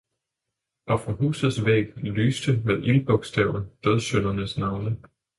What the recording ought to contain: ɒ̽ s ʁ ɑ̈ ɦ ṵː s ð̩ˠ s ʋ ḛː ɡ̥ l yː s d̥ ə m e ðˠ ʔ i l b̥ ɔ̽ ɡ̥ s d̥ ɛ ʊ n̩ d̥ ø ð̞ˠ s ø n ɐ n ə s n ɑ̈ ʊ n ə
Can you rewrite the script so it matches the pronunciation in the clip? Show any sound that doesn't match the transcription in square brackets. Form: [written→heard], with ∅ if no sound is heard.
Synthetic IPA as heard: ɒ̽ [s→f] ʁ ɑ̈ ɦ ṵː s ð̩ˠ s ʋ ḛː ɡ̥ l yː s d̥ ə m e ðˠ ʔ i l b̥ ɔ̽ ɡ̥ s d̥ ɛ ʊ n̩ d̥ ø ð̞ˠ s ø n ɐ n ə s n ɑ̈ ʊ n ə